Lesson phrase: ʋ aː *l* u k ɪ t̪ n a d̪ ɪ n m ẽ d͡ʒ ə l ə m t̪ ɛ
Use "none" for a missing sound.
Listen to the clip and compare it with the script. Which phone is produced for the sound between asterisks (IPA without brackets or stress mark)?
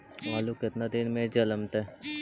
l